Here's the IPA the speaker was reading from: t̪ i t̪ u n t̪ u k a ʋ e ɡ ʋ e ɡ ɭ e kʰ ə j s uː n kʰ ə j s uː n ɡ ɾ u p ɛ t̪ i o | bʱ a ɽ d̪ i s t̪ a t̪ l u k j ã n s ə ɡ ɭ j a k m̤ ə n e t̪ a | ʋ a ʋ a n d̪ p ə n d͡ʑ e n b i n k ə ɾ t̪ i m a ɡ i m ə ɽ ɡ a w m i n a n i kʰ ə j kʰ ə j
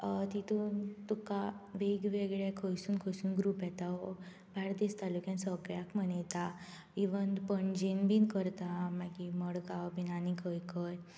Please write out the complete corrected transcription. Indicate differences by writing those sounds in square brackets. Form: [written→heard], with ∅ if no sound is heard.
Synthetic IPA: t̪ i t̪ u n t̪ u k a ʋ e ɡ ʋ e ɡ ɭ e kʰ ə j s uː n kʰ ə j s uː n ɡ ɾ u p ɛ t̪ [i→a] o | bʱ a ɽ d̪ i s t̪ a [t̪→∅] l u k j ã n s ə ɡ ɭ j a k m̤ ə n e t̪ a | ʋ [a→i] ʋ [a→ə] n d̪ p ə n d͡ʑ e n b i n k ə ɾ t̪ [i→a] m a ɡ i m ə ɽ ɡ a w [m→b] i n a n i kʰ ə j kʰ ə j